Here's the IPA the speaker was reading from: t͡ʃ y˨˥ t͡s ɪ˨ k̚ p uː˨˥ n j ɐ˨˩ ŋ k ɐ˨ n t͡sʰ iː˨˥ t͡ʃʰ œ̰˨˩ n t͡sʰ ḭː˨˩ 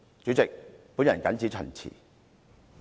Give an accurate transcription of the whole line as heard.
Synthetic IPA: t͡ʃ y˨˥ t͡s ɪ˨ k̚ p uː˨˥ n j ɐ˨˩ n k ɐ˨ n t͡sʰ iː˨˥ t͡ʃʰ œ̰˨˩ n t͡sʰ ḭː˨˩